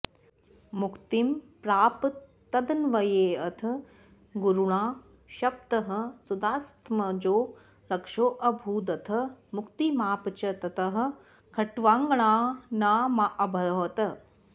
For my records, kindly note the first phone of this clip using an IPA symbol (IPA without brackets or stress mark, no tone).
m